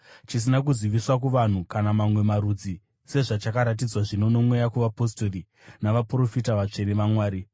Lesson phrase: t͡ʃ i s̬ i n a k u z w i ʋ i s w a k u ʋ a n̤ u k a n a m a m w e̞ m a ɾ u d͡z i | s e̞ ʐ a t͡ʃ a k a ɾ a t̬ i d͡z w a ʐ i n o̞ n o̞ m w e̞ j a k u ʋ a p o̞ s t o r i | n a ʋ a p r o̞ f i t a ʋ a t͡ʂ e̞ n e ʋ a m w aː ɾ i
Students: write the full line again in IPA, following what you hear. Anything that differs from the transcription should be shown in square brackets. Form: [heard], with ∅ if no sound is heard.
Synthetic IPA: t͡ʃ i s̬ i n a k u z w i ʋ i s w a k u ʋ a n̤ u k a n a m a m w e̞ m a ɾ u d͡z i | s e̞ ʐ a t͡ʃ a k a ɾ a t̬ i d͡z w a ʐ i n o̞ n o̞ m w e̞ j a k u ʋ a p o̞ s t o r i | n a ʋ a p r o̞ f i t a ʋ a t͡ʂ e̞ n e ʋ a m w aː ɾ i